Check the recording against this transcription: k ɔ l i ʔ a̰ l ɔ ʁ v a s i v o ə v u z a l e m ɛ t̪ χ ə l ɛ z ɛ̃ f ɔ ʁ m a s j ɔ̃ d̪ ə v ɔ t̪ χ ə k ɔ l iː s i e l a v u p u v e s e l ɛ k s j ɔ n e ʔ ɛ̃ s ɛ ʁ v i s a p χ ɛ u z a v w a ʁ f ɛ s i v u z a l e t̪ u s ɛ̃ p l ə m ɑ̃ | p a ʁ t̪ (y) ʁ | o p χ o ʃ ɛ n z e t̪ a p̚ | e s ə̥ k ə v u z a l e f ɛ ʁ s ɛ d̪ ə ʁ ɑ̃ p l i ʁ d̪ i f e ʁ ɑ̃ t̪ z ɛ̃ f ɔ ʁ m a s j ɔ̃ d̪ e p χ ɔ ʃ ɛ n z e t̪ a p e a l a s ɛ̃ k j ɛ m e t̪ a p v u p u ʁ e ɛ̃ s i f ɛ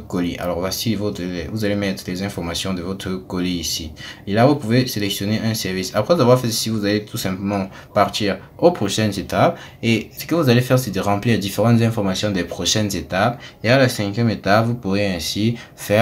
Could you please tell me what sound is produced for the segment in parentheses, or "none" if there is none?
i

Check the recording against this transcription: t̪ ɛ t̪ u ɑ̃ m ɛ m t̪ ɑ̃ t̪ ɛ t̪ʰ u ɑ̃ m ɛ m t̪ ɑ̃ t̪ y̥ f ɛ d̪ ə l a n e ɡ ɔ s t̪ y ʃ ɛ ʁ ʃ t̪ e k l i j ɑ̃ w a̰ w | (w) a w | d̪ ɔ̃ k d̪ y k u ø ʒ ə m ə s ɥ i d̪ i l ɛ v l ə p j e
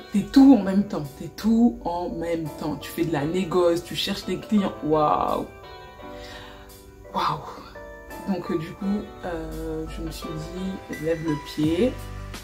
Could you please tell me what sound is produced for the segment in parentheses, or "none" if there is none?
w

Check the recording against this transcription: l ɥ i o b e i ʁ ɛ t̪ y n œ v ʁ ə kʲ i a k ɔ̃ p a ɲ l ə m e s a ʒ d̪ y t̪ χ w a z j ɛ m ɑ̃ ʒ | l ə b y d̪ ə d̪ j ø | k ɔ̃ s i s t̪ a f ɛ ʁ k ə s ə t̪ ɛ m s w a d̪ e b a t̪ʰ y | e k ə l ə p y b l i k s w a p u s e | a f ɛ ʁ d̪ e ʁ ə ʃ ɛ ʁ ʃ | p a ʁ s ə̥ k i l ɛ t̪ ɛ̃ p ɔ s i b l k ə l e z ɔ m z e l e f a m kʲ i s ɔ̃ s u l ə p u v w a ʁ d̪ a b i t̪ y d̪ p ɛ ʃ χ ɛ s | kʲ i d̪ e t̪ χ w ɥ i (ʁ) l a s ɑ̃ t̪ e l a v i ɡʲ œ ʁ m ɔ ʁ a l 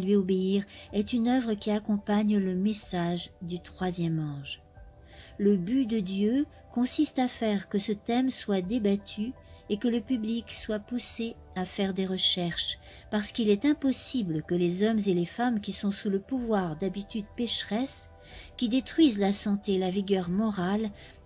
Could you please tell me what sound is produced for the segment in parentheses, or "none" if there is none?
z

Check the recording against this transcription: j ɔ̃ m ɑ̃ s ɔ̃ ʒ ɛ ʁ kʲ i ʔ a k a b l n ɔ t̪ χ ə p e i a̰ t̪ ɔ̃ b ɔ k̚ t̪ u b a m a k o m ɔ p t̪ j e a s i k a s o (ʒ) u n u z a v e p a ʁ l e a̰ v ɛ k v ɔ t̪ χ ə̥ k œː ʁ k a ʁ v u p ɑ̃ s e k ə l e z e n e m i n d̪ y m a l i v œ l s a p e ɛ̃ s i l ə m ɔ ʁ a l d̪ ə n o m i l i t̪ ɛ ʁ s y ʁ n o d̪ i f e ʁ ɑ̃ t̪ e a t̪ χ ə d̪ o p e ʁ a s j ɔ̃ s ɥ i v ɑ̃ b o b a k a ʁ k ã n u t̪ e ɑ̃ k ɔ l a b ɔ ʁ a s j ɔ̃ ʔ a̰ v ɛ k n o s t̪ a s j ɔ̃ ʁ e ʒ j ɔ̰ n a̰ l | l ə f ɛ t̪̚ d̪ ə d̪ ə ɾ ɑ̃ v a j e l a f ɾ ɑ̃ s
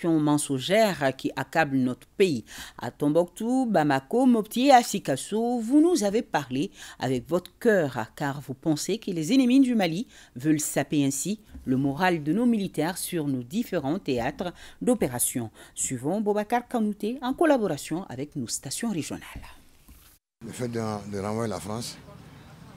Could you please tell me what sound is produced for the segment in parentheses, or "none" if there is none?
v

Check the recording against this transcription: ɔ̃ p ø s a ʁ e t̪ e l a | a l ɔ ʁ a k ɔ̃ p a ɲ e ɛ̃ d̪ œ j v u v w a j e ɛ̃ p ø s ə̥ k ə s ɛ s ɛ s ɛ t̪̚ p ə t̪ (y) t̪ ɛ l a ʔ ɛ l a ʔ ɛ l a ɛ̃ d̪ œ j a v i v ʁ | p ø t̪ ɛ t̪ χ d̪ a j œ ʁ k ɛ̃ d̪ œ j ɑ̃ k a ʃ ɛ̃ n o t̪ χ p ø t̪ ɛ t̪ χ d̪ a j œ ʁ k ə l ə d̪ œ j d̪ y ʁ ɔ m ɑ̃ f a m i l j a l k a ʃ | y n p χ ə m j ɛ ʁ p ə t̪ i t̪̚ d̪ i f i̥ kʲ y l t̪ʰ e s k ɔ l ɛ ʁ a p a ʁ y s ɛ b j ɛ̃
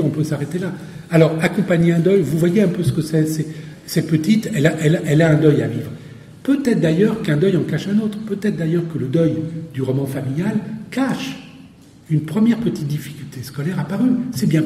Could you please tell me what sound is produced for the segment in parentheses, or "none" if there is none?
i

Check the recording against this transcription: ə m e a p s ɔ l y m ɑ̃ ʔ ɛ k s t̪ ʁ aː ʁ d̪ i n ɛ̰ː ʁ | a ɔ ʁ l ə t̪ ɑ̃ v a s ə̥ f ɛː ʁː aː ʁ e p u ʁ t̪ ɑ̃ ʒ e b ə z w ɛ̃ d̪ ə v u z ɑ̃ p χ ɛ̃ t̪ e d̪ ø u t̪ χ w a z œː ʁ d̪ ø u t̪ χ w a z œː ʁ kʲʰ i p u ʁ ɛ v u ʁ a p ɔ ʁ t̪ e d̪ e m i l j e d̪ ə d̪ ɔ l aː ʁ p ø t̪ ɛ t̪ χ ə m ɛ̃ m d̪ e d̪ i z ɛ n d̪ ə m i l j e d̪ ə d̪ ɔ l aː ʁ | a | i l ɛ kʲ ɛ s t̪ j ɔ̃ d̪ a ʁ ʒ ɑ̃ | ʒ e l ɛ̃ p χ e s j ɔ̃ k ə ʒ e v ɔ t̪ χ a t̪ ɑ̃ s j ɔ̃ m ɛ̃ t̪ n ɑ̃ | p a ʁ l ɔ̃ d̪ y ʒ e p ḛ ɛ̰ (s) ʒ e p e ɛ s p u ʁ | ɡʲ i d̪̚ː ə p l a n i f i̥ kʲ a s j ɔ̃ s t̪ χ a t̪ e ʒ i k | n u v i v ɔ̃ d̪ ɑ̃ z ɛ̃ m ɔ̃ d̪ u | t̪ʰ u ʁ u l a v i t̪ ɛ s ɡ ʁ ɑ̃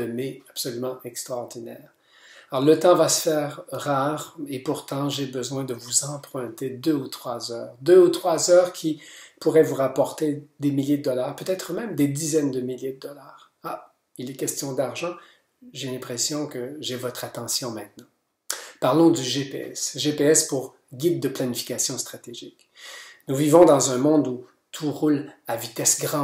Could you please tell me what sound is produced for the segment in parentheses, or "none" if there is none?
s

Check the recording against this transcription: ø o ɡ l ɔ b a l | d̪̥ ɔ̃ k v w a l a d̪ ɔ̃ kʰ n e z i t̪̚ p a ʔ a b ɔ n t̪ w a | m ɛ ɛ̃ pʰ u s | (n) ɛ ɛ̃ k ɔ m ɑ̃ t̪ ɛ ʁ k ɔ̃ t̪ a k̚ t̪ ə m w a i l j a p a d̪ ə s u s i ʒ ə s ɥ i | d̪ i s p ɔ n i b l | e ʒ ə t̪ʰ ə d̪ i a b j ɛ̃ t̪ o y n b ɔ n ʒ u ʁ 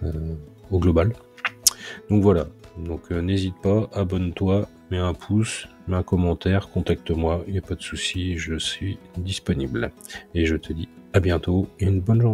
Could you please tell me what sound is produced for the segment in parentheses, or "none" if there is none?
m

